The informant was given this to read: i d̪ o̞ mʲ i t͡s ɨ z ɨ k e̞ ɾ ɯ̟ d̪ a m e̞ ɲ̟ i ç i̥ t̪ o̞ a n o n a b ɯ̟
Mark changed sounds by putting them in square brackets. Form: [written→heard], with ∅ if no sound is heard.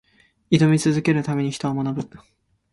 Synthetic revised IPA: i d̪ o̞ mʲ i t͡s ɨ z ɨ k e̞ ɾ ɯ̟ [d̪→t̪] a m e̞ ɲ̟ i ç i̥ t̪ o̞ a [n→m] o n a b ɯ̟

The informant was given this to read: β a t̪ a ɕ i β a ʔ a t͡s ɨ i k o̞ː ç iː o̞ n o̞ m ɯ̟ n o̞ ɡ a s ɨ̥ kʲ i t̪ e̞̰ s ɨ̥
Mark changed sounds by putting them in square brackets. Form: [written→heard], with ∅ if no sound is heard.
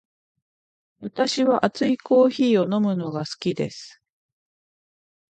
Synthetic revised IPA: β a t̪ a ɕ i β a ʔ a t͡s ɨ i k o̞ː ç iː o̞ n o̞ m ɯ̟ n o̞ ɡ a s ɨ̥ kʲ i [t̪→d̪] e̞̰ s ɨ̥

